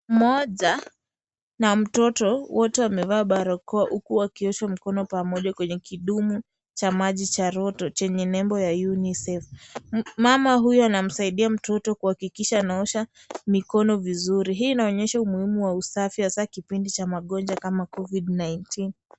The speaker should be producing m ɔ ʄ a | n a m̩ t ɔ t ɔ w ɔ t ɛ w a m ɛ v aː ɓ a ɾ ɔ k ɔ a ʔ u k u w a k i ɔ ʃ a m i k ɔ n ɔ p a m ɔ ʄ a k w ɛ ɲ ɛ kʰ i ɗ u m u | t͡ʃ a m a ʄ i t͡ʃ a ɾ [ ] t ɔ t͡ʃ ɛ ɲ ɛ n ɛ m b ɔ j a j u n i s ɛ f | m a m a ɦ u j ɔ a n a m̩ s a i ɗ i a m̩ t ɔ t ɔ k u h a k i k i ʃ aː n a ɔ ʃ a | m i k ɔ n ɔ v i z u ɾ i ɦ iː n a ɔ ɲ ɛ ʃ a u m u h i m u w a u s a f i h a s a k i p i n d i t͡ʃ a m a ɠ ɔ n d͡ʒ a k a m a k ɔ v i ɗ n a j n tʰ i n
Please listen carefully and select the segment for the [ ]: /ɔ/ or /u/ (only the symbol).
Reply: ɔ